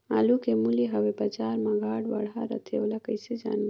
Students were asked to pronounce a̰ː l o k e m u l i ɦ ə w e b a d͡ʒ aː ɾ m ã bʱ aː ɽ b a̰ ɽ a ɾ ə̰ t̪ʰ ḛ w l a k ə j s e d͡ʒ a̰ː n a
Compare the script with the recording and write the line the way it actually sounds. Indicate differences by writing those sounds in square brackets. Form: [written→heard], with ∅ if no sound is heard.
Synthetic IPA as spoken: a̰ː l [o→u] k e m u l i ɦ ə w e b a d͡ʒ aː ɾ m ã [bʱ→ɡʱ] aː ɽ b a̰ ɽ a ɾ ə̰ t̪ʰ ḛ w l a k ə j s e d͡ʒ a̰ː n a